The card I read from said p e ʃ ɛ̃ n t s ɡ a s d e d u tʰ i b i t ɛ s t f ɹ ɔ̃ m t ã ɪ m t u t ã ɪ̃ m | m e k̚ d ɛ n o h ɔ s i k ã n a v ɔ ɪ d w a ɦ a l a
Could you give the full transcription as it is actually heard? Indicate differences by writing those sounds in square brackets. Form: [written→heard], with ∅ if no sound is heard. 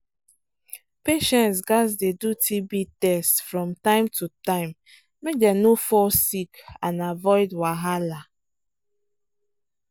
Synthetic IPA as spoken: p e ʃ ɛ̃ n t s ɡ a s d e d u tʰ i b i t ɛ s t f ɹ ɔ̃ m t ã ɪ m t u t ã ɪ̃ m | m e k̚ d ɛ n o [h→f] ɔ s i k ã n a v ɔ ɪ d w a ɦ a l a